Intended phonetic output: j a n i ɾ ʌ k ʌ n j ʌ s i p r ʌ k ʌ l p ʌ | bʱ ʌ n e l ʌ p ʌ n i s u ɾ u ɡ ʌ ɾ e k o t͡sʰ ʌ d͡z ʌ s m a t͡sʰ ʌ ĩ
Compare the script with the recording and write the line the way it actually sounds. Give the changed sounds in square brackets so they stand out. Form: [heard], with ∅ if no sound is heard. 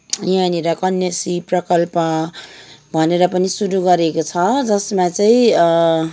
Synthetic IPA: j a n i ɾ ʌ k ʌ n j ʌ s i p r ʌ k ʌ l p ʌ | bʱ ʌ n e [ɾ] ʌ p ʌ n i s u ɾ u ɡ ʌ ɾ e k o t͡sʰ ʌ d͡z ʌ s m a [t͡s] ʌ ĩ